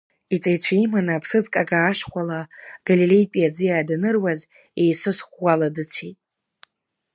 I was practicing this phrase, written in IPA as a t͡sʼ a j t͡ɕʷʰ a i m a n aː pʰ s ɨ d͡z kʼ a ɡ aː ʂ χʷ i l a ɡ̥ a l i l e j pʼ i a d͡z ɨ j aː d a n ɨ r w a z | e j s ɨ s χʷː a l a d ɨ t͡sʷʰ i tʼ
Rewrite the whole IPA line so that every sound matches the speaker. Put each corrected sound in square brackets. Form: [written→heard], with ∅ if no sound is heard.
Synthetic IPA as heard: [a→i] t͡sʼ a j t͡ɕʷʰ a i m a n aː pʰ s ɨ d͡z kʼ a ɡ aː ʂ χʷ [i→a] l a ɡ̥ a l i l e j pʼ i a d͡z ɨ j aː d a n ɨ r w a z | e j s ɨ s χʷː a l a d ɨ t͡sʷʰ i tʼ